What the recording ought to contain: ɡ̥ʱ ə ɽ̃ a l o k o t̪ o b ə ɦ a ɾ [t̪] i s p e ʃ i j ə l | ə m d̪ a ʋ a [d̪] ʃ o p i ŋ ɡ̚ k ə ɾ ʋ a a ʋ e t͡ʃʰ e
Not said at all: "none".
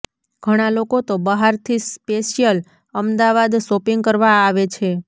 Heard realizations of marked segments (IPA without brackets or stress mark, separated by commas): t̪ʰ, d̪